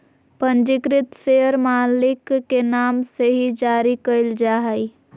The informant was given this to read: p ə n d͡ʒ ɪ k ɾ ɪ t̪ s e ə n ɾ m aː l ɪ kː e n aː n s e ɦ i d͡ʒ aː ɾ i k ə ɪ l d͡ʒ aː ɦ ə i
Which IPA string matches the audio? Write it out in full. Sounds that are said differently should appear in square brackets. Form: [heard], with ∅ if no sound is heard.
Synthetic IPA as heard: p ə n d͡ʒ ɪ k ɾ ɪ t̪ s e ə [∅] ɾ m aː l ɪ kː e n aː [m] s e ɦ i d͡ʒ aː ɾ i k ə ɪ l d͡ʒ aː ɦ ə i